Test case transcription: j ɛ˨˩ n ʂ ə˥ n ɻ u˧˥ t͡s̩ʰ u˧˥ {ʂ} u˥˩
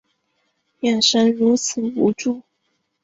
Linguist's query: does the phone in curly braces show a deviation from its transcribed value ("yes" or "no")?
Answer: yes